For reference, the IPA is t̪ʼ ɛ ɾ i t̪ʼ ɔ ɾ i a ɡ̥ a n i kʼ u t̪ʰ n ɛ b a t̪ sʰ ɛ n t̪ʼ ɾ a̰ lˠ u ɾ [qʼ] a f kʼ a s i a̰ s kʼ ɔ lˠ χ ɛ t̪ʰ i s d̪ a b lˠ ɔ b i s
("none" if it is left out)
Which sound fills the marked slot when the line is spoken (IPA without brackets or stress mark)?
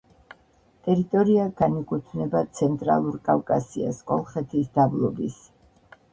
kʼ